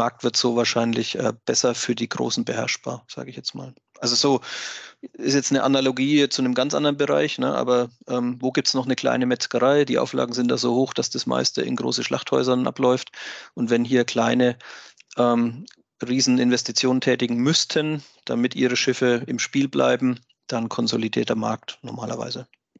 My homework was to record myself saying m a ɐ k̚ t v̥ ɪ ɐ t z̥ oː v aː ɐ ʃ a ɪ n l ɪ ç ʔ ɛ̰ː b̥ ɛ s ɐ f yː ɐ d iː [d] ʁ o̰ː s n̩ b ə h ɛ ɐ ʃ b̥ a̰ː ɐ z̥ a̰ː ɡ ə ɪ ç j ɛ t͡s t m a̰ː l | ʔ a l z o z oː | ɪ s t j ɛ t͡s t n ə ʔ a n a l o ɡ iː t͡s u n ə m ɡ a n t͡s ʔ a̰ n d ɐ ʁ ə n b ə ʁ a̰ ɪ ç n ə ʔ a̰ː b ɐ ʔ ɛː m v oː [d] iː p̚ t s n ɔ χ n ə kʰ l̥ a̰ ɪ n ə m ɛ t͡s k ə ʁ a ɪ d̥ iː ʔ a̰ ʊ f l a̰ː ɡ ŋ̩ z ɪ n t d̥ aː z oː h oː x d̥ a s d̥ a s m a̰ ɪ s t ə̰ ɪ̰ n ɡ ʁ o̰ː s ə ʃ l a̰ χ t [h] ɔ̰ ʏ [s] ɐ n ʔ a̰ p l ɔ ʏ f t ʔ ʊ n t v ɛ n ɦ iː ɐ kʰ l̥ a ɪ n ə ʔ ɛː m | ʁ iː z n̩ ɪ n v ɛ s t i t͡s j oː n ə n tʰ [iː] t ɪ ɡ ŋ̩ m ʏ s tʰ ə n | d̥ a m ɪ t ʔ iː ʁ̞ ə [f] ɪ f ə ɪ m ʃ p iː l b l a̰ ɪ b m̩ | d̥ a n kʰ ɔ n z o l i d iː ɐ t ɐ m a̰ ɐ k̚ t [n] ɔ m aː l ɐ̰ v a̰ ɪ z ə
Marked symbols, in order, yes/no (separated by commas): no, no, yes, no, no, no, yes